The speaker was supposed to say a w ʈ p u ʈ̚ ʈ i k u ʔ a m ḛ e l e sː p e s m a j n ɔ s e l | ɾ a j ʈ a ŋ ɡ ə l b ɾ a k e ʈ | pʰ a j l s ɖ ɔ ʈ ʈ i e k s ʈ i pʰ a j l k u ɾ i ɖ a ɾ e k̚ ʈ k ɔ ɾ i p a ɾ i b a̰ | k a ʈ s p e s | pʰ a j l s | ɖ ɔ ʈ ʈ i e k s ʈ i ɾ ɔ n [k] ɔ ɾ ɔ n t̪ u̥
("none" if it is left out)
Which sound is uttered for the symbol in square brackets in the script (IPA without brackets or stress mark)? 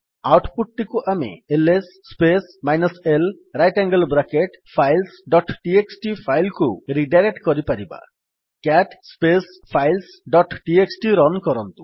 k